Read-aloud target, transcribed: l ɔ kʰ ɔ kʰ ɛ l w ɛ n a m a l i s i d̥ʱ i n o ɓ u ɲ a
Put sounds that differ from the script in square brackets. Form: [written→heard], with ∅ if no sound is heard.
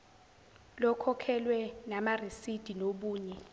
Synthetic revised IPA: l ɔ kʰ ɔ kʰ ɛ l w ɛ n a m a [l→r] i s i d̥ʱ i n o ɓ [u→uː] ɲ [a→ɛ]